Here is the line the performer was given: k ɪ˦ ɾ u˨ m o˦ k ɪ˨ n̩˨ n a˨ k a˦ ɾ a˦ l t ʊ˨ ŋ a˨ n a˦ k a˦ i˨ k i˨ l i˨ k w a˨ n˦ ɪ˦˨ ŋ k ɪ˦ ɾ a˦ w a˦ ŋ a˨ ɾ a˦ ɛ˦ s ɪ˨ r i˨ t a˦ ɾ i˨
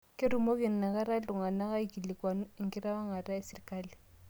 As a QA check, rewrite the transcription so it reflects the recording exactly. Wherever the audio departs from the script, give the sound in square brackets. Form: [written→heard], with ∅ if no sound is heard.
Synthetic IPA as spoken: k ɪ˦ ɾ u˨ m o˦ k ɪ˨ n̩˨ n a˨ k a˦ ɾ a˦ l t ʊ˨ ŋ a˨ n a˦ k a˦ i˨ k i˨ l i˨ k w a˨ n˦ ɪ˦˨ ŋ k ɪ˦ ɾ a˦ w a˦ ŋ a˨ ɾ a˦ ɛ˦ s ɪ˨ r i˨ [t→k] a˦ [ɾ→l] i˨